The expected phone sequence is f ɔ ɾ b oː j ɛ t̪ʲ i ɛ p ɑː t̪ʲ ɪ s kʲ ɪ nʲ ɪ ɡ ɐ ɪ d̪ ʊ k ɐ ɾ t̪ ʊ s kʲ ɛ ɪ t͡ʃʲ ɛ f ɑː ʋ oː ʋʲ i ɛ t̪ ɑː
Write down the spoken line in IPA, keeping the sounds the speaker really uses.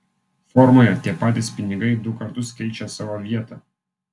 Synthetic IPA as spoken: f ɔ ɾ m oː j ɛ t̪ʲ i ɛ p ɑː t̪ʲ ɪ s pʲ ɪ nʲ ɪ ɡ ɐ ɪ d̪ ʊ k ɐ ɾ t̪ ʊ s kʲ ɛ ɪ t͡ʃʲ ɛ s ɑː ʋ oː ʋʲ i ɛ t̪ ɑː